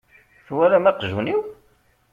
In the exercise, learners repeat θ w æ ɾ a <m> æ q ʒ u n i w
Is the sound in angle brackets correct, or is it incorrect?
correct